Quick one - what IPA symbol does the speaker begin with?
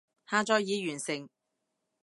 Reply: h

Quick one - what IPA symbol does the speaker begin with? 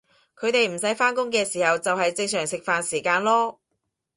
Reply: kʰ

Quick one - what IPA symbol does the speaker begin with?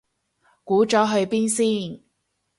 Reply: k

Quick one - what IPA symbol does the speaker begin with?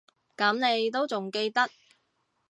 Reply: k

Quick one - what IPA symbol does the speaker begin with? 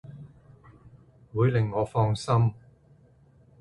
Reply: w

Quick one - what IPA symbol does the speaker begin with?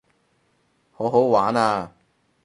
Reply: h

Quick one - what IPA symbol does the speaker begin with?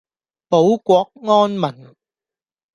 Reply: p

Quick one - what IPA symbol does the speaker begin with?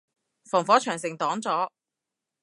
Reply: f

